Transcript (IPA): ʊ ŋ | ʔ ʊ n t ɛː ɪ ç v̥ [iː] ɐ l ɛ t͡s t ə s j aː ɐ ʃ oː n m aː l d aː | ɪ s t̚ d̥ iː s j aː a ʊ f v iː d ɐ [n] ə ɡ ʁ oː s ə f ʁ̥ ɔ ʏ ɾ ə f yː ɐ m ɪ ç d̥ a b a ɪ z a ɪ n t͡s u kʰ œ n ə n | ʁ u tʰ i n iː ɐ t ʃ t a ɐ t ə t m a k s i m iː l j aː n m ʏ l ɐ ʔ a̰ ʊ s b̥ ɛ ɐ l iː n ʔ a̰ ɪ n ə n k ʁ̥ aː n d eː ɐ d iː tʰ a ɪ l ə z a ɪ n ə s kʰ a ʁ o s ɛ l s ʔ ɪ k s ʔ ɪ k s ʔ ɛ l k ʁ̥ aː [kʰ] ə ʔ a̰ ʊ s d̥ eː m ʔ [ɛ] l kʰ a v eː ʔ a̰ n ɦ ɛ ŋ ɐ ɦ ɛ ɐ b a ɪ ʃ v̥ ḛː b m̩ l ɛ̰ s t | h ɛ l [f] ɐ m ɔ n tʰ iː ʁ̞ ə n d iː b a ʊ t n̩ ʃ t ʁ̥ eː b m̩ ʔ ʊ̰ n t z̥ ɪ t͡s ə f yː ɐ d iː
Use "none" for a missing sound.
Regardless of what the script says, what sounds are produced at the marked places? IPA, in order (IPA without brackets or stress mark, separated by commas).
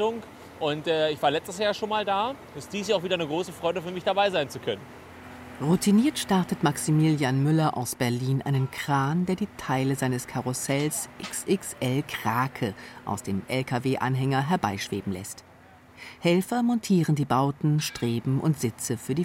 aː, n, kʰ, ɛ, f